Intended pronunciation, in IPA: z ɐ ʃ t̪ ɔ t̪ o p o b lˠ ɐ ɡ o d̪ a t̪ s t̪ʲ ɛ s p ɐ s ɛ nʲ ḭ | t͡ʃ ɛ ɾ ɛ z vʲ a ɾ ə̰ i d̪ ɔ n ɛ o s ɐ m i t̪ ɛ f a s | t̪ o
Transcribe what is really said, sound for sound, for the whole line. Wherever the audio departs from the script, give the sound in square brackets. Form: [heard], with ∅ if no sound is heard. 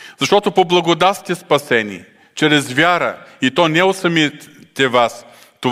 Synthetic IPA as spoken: z ɐ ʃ t̪ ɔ t̪ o p o b lˠ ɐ ɡ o d̪ a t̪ s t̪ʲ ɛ s p ɐ s ɛ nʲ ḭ | t͡ʃ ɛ ɾ ɛ z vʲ a ɾ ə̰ i [t̪] ɔ n ɛ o s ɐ m i t̪ ɛ [v] a s | t̪ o